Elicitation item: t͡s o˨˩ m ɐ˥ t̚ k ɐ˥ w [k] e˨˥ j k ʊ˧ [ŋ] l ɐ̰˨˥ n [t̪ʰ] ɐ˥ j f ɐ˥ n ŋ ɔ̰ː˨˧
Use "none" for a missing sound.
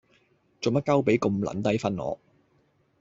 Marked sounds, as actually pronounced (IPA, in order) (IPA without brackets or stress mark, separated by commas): p, m, t̪